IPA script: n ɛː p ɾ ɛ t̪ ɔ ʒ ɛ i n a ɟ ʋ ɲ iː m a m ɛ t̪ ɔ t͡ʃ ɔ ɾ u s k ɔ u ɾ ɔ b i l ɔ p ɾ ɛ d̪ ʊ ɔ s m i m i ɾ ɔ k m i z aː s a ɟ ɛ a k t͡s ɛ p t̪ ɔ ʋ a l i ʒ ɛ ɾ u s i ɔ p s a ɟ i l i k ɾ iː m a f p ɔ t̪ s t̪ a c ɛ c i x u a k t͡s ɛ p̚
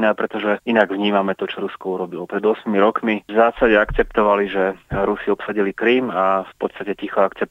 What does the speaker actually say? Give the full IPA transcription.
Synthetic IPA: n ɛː p ɾ ɛ t̪ ɔ ʒ ɛ i n a ɡ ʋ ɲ iː m a m ɛ t̪ ɔ t͡ʃ ɔ ɾ u s k ɔ u ɾ ɔ b i l ɔ p ɾ ɛ d̪ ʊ ɔ s m i m i ɾ ɔ k m i z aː s a ɟ ɛ a k t͡s ɛ p t̪ ɔ ʋ a l i ʒ ɛ ɾ u s i ɔ p s a ɟ i l i k ɾ iː m a f p ɔ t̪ s t̪ a c ɛ c i x ɔ a k t͡s ɛ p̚